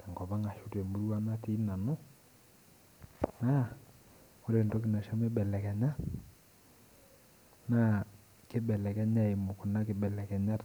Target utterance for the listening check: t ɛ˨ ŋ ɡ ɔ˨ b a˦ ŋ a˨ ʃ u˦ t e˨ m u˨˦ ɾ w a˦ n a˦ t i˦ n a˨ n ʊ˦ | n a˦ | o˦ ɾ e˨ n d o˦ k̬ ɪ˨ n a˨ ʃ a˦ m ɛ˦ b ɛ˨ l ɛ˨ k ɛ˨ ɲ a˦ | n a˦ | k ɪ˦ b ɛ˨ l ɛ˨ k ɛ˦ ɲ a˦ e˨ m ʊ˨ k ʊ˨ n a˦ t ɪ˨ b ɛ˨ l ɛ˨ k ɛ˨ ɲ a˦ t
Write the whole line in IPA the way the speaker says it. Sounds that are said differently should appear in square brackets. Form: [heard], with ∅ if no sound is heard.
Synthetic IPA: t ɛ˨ ŋ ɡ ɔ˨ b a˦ ŋ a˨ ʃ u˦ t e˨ m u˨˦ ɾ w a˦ n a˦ t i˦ n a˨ n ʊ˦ | n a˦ | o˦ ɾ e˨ n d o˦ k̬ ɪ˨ n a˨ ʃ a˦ m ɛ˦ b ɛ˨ l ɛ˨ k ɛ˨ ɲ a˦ | n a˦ | k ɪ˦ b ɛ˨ l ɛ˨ k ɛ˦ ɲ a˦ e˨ m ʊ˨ k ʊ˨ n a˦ [k] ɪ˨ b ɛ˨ l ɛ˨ k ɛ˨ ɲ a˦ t